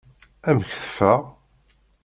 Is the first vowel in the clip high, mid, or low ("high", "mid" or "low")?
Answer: low